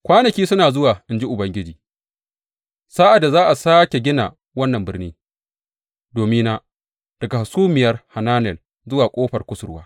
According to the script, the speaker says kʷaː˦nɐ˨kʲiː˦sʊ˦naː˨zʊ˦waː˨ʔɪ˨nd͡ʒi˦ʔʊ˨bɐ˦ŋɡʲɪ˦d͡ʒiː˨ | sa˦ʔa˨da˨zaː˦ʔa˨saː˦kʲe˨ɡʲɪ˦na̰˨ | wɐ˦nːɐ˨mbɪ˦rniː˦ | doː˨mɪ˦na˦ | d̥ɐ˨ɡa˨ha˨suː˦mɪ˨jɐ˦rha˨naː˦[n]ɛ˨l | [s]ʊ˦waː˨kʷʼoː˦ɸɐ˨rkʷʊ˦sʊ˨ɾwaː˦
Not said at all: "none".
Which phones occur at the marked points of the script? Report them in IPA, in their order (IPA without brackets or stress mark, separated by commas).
n, z